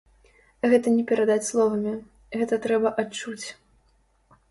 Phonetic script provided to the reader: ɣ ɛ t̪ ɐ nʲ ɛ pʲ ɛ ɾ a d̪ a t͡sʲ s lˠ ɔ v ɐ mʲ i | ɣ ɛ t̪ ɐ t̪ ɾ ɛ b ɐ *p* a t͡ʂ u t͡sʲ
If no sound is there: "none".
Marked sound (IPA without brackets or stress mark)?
ʔ